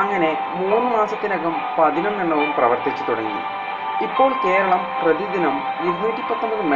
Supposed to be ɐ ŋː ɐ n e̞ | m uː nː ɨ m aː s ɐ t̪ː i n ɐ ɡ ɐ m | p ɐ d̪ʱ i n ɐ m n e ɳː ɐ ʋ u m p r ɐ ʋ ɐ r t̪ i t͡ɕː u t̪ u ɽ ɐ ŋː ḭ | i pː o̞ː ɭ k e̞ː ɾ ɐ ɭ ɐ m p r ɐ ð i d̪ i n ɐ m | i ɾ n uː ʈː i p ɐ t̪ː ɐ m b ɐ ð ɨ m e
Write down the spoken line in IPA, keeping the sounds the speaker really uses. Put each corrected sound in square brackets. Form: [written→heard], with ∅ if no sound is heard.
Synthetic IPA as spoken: ɐ ŋː ɐ n e̞ | m uː nː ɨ m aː s ɐ t̪ː i n ɐ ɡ ɐ m | p ɐ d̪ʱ i n ɐ m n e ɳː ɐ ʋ u m p r ɐ ʋ ɐ r t̪ i t͡ɕː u t̪ u ɽ ɐ ŋː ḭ | i pː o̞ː ɭ k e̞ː ɾ ɐ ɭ ɐ m p r ɐ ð i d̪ i n ɐ m | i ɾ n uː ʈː i p ɐ t̪ː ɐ m b ɐ ð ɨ m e